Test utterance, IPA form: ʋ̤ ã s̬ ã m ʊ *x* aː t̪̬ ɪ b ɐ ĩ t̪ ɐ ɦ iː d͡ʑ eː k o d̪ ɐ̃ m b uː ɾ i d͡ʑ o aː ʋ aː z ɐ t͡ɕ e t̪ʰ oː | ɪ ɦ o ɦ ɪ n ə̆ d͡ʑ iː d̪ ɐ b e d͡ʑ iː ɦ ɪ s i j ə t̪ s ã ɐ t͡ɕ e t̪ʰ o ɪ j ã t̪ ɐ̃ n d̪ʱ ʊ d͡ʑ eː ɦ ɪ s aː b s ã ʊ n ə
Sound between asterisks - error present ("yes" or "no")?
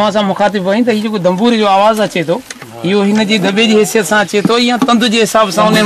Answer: no